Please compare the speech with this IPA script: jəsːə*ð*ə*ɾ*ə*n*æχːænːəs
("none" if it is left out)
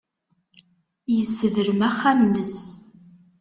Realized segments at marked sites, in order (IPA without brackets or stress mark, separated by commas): ð, ɾ, m